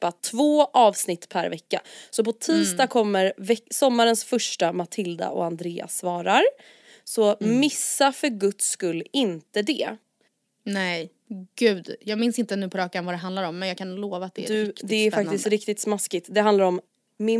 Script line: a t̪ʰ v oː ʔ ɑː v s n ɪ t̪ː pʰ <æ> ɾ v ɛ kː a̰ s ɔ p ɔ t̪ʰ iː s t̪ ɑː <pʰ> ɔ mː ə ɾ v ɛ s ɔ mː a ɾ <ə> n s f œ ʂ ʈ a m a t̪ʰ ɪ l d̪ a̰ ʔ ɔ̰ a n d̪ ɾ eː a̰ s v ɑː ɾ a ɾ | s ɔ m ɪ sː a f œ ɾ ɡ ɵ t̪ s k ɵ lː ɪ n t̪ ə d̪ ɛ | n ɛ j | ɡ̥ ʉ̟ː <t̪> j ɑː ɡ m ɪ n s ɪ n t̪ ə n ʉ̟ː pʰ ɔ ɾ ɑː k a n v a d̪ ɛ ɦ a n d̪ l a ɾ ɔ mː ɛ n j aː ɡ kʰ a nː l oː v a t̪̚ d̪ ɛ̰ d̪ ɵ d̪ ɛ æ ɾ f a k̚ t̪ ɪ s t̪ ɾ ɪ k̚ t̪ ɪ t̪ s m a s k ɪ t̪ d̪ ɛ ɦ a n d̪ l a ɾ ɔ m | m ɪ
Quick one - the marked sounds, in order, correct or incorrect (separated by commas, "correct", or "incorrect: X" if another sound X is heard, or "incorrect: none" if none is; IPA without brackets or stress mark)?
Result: correct, incorrect: kʰ, correct, incorrect: d̪